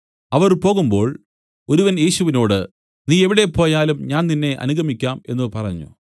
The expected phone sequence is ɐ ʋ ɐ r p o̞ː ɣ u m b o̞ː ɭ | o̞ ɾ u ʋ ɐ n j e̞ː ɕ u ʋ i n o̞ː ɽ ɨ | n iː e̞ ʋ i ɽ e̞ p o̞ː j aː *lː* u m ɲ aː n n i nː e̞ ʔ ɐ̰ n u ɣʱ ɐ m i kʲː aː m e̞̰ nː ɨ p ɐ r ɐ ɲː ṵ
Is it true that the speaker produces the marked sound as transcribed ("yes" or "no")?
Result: no